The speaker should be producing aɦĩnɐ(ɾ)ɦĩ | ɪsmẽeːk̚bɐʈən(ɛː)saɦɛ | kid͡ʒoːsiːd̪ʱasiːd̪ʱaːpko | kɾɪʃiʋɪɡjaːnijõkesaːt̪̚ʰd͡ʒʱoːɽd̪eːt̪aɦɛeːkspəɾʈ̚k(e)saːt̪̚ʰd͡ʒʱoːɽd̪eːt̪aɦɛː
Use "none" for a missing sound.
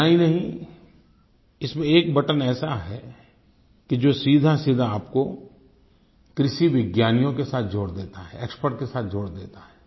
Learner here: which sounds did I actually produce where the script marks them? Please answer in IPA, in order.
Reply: none, ɛː, e

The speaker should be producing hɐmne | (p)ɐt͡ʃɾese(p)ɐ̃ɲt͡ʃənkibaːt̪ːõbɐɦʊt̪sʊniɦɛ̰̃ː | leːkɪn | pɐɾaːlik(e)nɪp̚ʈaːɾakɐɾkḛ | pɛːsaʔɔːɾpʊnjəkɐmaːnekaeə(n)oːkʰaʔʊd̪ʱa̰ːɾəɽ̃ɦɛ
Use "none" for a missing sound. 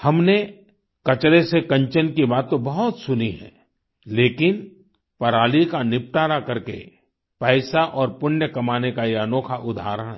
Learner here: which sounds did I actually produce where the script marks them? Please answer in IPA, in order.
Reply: k, k, a, n

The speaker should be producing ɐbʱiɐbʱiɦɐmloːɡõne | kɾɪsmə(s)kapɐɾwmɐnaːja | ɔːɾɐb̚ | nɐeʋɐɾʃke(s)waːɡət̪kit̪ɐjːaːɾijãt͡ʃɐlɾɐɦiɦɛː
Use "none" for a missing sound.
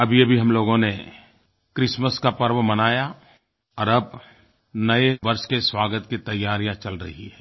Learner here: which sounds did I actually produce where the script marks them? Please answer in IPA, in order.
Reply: s, s

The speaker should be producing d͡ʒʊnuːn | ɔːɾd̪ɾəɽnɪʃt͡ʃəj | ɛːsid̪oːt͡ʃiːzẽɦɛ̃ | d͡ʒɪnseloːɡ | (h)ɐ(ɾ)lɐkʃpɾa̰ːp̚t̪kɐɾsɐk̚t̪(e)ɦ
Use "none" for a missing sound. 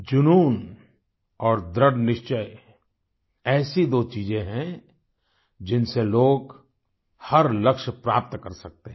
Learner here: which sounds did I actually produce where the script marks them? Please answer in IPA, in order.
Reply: h, ɾ, e

